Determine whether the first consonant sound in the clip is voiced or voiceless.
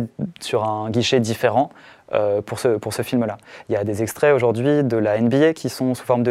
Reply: voiceless